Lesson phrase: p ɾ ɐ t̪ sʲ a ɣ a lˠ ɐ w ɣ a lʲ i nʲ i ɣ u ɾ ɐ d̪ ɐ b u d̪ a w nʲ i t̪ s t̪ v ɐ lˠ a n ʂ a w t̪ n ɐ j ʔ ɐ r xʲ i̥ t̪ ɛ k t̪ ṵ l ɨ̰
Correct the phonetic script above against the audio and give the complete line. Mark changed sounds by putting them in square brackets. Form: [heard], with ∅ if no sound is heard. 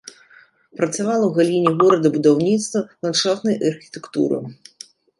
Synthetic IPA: p ɾ ɐ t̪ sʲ a [v] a lˠ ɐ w ɣ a lʲ i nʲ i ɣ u ɾ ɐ d̪ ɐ b u d̪ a w nʲ i t̪ s t̪ v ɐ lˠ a n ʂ a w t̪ n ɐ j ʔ ɐ r xʲ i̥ t̪ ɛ k t̪ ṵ [ɾ] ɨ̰